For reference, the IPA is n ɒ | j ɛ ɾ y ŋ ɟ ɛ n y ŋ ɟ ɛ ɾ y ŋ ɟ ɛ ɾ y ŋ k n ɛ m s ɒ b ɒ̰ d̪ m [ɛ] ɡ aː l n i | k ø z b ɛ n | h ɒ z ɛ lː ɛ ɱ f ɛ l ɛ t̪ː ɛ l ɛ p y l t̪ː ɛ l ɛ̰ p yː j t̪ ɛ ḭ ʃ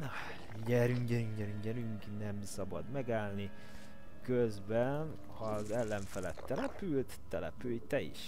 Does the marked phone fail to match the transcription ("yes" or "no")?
no